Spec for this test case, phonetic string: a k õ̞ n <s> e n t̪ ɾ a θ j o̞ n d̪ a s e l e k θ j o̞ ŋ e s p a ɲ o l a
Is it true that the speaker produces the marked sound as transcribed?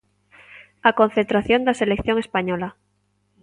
no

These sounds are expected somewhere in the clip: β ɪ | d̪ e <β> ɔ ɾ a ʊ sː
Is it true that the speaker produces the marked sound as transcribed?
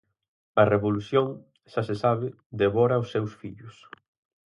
yes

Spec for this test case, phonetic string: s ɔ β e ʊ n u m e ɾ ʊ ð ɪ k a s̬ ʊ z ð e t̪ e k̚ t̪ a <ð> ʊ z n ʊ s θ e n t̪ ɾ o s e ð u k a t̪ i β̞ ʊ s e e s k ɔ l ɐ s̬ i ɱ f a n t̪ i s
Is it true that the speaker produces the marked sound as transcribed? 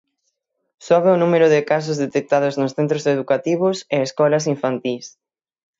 yes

